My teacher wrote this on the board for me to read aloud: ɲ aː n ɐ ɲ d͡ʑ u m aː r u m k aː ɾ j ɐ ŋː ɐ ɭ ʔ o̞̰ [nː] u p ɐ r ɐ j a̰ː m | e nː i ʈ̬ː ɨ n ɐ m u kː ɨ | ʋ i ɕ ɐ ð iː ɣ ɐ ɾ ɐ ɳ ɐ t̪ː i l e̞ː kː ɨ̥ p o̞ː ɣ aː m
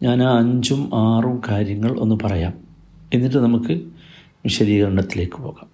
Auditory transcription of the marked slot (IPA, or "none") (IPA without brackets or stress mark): nː